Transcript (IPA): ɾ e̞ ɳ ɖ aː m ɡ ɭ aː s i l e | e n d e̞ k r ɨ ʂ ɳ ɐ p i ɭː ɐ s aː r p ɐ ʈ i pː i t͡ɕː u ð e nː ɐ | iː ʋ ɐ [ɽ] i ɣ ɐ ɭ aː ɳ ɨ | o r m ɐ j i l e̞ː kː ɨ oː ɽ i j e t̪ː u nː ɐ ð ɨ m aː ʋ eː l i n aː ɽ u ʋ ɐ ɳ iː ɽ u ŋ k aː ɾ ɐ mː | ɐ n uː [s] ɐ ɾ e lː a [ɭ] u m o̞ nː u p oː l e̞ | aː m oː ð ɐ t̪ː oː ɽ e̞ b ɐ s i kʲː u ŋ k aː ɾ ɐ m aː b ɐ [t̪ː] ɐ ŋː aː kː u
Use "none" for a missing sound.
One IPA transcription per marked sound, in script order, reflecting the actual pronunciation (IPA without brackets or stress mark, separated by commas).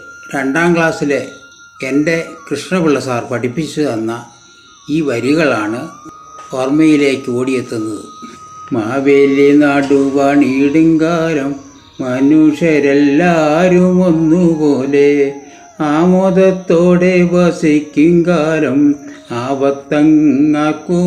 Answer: ɾ, ʂ, ɾ, t̪ː